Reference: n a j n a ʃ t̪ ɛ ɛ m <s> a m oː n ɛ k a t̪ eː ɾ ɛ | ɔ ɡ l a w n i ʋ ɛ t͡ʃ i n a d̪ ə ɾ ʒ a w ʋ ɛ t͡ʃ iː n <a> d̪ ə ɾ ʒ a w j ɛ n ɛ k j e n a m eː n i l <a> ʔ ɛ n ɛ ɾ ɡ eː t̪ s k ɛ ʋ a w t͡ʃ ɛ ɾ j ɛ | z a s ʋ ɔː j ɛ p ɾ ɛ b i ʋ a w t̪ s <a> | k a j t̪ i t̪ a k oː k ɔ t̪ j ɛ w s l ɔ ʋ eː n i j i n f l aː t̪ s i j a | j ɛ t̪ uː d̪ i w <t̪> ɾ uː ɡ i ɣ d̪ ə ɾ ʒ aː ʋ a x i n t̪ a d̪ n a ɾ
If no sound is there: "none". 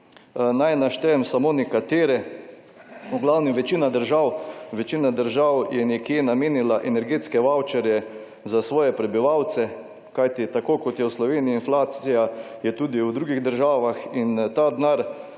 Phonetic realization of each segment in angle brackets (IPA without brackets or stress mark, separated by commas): s, a, a, ɛ, d̪